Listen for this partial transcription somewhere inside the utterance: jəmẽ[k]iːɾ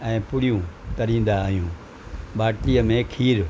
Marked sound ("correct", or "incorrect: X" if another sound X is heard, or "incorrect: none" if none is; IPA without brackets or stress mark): incorrect: kʰ